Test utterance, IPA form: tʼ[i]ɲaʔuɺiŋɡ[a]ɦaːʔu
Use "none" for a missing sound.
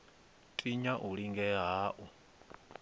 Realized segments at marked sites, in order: i, ɛ

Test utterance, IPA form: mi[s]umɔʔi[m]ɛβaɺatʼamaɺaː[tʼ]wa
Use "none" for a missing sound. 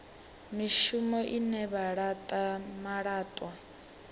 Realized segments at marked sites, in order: ʃ, n, tʼ

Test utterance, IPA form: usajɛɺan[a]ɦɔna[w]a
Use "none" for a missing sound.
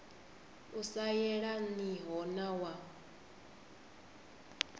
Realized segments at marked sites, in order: i, w

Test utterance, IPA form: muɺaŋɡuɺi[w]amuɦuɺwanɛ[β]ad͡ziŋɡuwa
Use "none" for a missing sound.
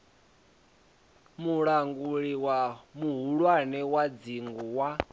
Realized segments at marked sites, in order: w, w

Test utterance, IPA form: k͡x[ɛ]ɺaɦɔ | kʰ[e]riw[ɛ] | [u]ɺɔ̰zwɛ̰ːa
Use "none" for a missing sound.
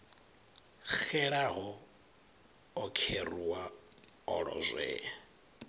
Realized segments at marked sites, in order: ɛ, e, a, ɔ

